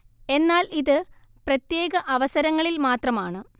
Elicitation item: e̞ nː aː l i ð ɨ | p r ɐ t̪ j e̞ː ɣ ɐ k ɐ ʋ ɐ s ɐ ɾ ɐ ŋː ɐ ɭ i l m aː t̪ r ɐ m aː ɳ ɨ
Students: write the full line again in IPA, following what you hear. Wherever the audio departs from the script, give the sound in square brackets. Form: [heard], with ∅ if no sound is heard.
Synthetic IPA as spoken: e̞ nː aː l i ð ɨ | p r ɐ t̪ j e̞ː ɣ ɐ [ʔ] ɐ ʋ ɐ s ɐ ɾ ɐ ŋː ɐ ɭ i l m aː t̪ r ɐ m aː ɳ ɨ